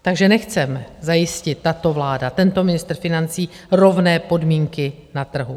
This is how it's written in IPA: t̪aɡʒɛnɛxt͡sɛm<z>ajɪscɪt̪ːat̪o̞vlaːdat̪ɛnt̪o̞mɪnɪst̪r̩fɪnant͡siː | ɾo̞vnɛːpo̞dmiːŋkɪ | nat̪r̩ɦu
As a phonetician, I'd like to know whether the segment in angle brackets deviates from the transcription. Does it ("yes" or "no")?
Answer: no